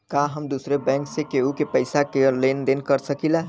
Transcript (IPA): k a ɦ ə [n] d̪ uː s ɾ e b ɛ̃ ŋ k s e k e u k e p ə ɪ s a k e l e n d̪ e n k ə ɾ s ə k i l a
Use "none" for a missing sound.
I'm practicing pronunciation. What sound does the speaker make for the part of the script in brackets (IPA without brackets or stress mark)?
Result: m